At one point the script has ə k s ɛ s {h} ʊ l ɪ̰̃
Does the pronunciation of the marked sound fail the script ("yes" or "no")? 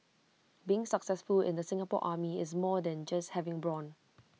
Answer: yes